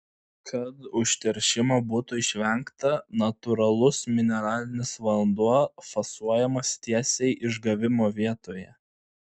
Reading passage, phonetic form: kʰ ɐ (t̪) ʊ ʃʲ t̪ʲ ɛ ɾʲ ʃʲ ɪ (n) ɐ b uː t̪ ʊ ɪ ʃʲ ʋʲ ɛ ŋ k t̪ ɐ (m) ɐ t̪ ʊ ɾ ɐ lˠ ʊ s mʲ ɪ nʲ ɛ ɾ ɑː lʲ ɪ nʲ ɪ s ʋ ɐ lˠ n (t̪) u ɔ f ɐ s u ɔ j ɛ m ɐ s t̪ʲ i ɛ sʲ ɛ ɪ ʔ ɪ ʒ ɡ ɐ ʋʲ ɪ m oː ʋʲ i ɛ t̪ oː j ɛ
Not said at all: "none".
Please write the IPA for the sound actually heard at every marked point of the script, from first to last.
t̪, m, n, d̪

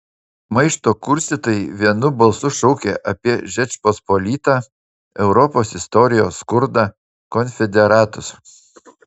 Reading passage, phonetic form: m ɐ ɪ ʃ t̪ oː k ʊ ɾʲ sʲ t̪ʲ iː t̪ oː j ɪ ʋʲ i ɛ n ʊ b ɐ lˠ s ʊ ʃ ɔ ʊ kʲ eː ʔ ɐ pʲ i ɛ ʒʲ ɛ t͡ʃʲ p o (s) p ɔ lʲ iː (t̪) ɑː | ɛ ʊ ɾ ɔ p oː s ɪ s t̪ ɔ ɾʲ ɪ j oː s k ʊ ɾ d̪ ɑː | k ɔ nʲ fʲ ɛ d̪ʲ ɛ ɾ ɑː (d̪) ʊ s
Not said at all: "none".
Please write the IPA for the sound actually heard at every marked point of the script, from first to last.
s, t̪, t̪

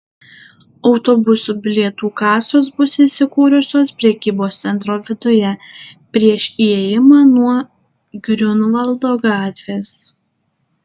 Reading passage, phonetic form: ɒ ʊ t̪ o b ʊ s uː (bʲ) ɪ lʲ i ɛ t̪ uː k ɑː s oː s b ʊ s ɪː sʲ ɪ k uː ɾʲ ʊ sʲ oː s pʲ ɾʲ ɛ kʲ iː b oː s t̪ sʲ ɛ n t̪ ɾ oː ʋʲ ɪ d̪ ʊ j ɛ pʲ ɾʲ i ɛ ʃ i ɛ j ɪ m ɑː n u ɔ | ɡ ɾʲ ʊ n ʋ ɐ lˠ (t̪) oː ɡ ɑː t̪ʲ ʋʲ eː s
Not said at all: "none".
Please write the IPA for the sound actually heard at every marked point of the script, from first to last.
bʲ, d̪

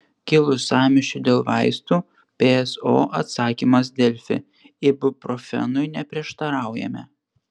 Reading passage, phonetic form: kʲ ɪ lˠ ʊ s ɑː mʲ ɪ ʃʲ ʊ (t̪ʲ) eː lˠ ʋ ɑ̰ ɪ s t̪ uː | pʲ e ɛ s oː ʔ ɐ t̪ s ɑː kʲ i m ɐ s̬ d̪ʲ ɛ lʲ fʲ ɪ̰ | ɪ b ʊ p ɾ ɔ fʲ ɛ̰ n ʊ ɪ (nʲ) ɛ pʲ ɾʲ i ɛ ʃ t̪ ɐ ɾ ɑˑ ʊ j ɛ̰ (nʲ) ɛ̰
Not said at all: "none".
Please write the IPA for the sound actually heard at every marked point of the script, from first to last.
d̪ʲ, nʲ, mʲ

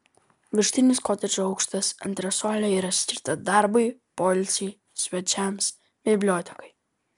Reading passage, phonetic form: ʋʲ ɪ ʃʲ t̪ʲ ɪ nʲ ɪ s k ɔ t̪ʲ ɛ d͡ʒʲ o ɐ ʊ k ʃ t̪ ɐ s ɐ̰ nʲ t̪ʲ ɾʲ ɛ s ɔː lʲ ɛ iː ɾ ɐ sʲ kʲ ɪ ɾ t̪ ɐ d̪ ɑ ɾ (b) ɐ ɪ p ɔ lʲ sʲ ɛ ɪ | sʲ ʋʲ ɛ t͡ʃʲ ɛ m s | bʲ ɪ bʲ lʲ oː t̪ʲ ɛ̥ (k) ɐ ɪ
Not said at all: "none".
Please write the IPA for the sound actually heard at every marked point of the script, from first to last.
b, k

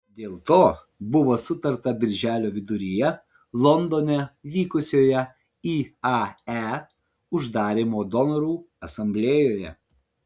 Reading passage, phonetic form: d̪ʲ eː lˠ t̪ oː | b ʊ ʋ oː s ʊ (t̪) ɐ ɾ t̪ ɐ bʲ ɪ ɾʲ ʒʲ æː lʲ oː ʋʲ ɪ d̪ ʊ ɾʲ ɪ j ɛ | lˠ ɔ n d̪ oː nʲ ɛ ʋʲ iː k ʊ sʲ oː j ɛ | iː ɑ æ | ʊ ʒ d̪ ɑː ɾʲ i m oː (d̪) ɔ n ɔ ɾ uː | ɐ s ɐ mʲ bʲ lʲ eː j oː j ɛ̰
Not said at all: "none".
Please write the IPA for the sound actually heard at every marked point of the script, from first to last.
t̪, d̪

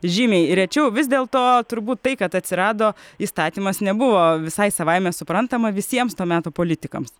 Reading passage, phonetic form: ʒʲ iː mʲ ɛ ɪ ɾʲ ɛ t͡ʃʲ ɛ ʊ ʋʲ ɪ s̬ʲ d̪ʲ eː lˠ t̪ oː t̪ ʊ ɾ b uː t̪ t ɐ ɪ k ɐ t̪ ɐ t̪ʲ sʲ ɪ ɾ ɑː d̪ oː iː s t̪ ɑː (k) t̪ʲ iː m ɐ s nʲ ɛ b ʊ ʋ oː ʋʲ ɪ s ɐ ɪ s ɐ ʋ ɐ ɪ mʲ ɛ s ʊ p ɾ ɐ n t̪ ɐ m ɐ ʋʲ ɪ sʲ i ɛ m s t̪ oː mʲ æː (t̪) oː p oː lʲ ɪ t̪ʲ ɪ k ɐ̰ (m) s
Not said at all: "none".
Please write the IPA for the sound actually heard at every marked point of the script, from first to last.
none, t̪, m

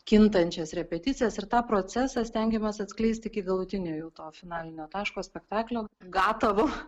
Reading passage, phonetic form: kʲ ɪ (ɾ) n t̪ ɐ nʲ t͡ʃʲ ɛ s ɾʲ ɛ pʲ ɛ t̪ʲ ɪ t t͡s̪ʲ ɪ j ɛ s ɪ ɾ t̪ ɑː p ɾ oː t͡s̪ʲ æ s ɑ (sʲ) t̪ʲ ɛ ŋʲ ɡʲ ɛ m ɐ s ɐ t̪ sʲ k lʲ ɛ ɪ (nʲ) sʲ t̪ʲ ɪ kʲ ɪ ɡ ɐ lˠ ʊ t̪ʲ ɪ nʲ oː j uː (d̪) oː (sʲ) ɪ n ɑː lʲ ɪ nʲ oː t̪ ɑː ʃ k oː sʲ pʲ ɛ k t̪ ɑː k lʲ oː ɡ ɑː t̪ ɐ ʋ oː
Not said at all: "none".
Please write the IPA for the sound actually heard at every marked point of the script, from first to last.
none, sʲ, none, t̪, fʲ

